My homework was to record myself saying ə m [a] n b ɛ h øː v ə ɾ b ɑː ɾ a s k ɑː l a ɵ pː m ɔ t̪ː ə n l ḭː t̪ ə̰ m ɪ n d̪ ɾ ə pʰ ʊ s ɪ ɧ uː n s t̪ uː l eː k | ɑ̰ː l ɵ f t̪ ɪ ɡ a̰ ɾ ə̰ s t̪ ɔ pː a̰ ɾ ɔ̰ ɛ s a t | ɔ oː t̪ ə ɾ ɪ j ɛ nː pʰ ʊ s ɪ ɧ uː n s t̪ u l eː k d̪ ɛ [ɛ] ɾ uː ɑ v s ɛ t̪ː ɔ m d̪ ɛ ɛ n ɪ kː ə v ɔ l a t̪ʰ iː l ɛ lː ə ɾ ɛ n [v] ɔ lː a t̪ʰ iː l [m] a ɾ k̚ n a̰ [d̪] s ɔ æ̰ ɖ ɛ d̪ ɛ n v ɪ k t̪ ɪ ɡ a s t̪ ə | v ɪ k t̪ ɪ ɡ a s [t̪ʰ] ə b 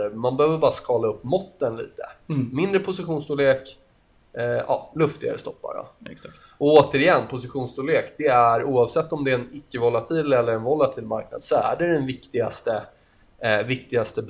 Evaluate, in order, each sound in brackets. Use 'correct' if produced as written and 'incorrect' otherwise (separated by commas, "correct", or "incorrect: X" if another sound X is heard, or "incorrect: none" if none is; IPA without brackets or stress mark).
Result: correct, incorrect: æ, correct, correct, correct, incorrect: t̪